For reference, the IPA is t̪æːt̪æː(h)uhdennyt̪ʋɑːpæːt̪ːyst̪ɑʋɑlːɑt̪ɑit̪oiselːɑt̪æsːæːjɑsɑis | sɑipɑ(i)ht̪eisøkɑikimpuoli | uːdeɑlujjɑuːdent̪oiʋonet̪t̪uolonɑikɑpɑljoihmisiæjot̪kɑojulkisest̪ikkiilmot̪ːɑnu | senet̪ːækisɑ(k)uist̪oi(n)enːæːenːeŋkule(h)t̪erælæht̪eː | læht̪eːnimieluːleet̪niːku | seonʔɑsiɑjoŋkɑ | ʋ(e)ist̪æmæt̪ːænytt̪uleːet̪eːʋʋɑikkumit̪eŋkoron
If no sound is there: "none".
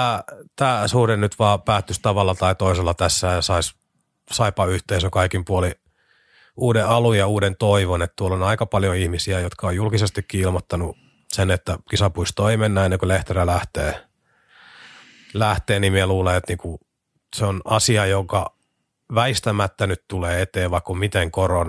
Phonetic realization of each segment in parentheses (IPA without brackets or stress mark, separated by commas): s, y, p, m, h, æ